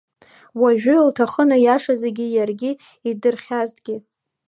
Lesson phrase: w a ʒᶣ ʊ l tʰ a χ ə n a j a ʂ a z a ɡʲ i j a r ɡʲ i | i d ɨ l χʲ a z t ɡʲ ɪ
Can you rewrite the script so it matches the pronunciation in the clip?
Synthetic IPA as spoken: w a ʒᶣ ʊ l tʰ a χ ə n a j a ʂ a z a ɡʲ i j a r ɡʲ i | i d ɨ r χʲ a z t ɡʲ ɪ